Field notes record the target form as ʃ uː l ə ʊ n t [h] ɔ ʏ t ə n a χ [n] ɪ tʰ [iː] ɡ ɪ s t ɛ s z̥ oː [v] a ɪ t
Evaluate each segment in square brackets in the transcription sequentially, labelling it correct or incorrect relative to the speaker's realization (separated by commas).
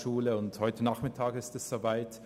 correct, incorrect, incorrect, correct